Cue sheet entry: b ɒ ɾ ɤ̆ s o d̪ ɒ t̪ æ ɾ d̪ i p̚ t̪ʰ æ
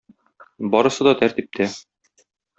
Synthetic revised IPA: b ɒ ɾ ɤ̆ s ɤ d̪ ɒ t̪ æ ɾ t̪ i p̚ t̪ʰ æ

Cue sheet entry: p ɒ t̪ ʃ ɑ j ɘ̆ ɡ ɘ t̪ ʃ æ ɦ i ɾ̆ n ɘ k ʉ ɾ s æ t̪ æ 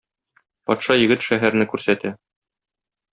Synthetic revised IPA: p ɒ t̪ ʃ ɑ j ɘ̆ ɡ ɘ t̪ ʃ æ ɦ æ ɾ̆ n ɘ k ʉ ɾ s æ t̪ æ

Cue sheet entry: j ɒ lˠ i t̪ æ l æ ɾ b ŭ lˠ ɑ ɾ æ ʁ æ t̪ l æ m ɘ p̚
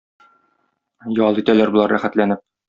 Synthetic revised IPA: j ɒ lˠ i t̪ æ l æ ɾ b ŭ lˠ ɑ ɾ æ χ æ t̪ l æ n ɘ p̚

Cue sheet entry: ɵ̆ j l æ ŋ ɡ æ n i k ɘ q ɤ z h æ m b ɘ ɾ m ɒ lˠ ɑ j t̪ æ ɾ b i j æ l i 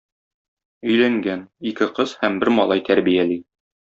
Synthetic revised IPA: ɵ̆ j l æ ŋ ɡ æ n i k ɘ q ɤ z h æ m b ɘ ɾ m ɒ lˠ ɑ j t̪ æ ɾ b i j æ l i

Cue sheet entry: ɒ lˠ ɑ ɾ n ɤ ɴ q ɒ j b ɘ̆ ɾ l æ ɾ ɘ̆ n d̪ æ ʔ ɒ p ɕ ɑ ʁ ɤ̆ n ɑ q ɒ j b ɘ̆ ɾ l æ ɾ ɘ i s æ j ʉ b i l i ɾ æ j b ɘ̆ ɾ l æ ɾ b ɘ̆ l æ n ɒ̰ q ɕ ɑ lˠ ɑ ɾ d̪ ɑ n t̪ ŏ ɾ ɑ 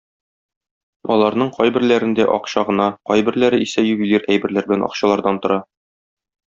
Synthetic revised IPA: ɒ lˠ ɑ ɾ n ɤ ɴ q ɒ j b ɘ̆ ɾ l æ ɾ ɘ̆ n d̪ æ ʔ ɒ q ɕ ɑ ʁ ɤ̆ n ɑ q ɒ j b ɘ̆ ɾ l æ ɾ ɘ i s æ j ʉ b i l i ɾ æ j b ɘ̆ ɾ l æ ɾ b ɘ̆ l æ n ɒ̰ q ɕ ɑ lˠ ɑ ɾ d̪ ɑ n t̪ ŏ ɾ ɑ

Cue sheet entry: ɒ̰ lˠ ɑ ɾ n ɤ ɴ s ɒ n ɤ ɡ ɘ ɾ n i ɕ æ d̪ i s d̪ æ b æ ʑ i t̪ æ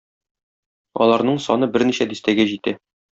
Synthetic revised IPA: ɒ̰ lˠ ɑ ɾ n ɤ ɴ s ɒ n ɤ b ɘ ɾ n i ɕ æ d̪ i s t̪ æ ɡ æ ʑ i t̪ æ

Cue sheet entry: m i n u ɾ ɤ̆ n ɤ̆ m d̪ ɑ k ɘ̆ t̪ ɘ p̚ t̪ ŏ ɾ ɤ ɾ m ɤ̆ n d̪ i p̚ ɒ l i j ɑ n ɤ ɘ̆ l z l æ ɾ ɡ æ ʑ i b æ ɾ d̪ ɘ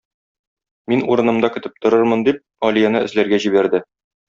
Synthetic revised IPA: m i n u ɾ ɤ̆ n ɤ̆ m d̪ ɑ k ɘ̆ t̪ ɘ p̚ t̪ ŏ ɾ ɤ ɾ m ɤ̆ n d̪ i p̚ ɒ l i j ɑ n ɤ ɘ̆ z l æ ɾ ɡ æ ʑ i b æ ɾ d̪ ɘ

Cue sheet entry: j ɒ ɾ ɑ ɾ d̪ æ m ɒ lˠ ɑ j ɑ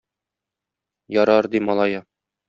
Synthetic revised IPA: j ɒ ɾ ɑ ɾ d̪ i m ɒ lˠ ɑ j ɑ

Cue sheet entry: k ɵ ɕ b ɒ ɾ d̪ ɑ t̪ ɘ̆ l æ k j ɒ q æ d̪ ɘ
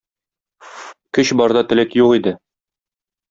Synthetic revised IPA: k ɵ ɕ b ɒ ɾ d̪ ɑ t̪ ɘ̆ l æ k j u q i d̪ ɘ

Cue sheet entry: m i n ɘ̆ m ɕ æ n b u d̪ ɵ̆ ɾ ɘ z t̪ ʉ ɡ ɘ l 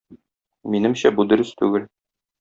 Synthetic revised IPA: m i n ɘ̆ m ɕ æ b u d̪ ɵ̆ ɾ ɘ s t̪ ʉ ɡ ɘ l

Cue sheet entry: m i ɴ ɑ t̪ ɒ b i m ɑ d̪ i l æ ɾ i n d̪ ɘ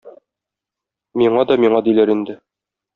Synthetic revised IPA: m i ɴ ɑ d̪ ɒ m i ɴ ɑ d̪ i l æ ɾ i n d̪ ɘ

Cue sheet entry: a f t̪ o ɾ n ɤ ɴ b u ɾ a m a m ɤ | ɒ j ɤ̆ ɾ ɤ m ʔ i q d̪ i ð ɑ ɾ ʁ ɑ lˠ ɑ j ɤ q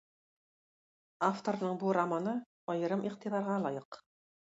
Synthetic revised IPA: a f t̪ o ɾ n ɤ ɴ b u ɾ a m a n ɤ | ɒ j ɤ̆ ɾ ɤ m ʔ i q t̪ i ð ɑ ɾ ʁ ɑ lˠ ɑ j ɤ q

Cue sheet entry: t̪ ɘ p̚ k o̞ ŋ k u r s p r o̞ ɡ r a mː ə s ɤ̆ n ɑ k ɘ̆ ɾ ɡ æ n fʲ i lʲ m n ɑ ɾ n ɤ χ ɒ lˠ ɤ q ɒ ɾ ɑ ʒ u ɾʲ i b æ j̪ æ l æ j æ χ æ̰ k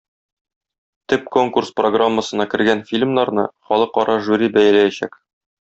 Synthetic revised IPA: t̪ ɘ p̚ k o̞ ŋ k u r s p r o̞ ɡ r a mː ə s ɤ̆ n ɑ k ɘ̆ ɾ ɡ æ n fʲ i lʲ m n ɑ ɾ n ɤ χ ɒ lˠ ɤ q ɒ ɾ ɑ ʒ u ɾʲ i b æ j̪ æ l æ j æ ɕ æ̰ k

